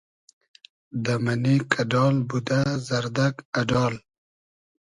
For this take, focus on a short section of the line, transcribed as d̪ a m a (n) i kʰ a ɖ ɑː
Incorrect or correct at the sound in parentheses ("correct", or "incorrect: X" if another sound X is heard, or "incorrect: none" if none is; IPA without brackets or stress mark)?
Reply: correct